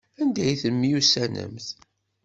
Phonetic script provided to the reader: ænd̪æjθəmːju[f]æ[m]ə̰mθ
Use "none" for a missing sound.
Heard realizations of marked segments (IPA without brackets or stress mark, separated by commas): s, n